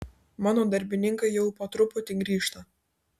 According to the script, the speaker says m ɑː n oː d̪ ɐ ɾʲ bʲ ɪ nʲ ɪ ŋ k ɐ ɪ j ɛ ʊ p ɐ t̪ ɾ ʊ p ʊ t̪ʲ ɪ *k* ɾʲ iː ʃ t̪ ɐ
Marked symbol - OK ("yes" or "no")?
no